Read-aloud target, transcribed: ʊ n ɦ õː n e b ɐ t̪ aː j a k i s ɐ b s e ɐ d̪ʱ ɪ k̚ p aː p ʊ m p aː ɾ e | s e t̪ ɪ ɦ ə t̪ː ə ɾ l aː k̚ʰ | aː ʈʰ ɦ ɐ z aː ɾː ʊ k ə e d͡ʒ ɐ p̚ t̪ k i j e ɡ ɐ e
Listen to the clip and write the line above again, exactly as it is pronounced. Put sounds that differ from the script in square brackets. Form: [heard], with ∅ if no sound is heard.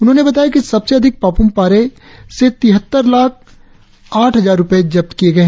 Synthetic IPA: ʊ n ɦ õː n e b ɐ t̪ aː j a k i s ɐ b s e ɐ d̪ʱ ɪ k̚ p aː p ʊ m p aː ɾ e | s e t̪ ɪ ɦ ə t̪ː ə ɾ l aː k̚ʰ | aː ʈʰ ɦ ɐ z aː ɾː ʊ [p] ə e d͡ʒ ɐ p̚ t̪ k i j e ɡ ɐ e

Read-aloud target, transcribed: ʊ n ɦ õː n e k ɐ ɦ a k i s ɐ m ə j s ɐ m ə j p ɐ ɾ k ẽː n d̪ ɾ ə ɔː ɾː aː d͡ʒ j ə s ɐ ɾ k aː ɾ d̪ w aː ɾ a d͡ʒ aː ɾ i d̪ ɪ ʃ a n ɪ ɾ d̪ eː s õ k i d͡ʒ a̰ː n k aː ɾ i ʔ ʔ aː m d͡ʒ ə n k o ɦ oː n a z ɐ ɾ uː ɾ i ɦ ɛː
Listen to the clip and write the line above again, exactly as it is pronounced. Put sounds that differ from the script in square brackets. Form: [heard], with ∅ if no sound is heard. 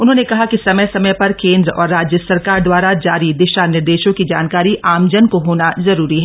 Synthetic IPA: ʊ n ɦ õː n e k ɐ ɦ a k i s ɐ m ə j s ɐ m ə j p ɐ ɾ k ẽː n d̪ ɾ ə ɔː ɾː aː d͡ʒ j ə s ɐ ɾ k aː ɾ d̪ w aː ɾ a d͡ʒ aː ɾ i d̪ ɪ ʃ a n ɪ ɾ d̪ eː [ʃ] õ k i d͡ʒ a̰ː n k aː ɾ i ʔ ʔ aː m d͡ʒ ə n k o ɦ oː n a z ɐ ɾ uː ɾ i ɦ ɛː

